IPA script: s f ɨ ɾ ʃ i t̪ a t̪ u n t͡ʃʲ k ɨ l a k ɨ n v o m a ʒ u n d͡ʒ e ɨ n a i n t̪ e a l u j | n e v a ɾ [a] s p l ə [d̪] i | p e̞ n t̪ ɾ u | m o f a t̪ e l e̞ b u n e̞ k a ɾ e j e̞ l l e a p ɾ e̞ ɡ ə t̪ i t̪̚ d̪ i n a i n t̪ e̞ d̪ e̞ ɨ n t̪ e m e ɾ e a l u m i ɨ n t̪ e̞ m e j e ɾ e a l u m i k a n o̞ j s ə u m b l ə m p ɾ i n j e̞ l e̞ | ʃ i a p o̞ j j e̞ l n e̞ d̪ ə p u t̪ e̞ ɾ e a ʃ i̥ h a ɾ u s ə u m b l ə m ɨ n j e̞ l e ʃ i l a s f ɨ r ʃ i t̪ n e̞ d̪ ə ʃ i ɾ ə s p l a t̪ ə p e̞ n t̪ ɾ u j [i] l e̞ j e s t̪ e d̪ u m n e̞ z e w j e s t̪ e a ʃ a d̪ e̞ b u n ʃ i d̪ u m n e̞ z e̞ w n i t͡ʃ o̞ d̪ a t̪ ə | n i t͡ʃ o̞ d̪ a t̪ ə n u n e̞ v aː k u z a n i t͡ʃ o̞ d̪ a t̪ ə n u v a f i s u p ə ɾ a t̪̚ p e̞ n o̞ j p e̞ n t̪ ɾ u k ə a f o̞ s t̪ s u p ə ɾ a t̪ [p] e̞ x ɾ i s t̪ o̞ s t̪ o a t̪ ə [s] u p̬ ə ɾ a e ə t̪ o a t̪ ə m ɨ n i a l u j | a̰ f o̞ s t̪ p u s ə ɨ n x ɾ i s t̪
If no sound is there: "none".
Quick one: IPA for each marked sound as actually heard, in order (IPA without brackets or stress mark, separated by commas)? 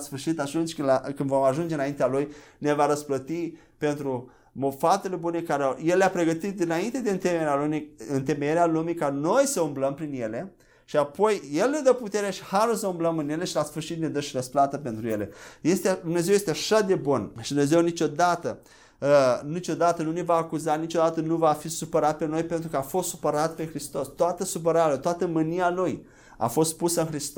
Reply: ə, t̪, e, p, s